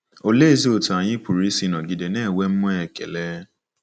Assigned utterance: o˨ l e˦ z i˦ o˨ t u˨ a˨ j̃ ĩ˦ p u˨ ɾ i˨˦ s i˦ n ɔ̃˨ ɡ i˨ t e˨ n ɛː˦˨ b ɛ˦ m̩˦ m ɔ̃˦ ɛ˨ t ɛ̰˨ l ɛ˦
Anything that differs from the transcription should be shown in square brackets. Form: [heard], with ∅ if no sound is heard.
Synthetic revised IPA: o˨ l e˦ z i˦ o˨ t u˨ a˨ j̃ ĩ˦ p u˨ ɾ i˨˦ s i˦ n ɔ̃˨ ɡ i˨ [d] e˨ n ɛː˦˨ [w] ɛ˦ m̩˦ m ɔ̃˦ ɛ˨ [k] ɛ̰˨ l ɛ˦